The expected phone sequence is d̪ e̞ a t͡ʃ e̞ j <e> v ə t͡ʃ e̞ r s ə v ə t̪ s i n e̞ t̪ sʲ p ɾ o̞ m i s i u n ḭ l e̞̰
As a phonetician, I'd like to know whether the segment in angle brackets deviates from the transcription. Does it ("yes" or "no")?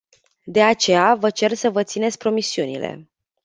yes